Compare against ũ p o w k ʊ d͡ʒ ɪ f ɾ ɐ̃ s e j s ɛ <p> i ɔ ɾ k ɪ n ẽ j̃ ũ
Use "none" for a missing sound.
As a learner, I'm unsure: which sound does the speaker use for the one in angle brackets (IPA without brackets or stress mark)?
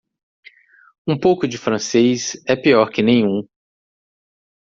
p